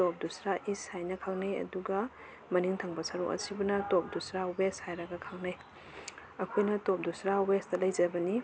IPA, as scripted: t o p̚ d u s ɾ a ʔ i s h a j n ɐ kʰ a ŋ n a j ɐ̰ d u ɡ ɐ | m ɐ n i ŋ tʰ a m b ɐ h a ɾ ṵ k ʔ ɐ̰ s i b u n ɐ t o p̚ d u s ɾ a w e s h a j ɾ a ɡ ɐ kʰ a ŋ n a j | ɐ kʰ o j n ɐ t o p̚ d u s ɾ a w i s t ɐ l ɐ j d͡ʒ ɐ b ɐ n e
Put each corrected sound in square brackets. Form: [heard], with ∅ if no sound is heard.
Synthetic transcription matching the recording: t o p̚ d u s ɾ a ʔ i s h a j n ɐ kʰ a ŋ n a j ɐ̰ d u ɡ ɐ | m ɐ n i ŋ tʰ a [ŋ] b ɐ [s] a ɾ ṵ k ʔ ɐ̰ s i b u n ɐ t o p̚ d u s ɾ a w e s h a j ɾ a ɡ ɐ kʰ a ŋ n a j | ɐ kʰ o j n ɐ t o p̚ d u s ɾ a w [e] s t ɐ l ɐ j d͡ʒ ɐ b ɐ n [i]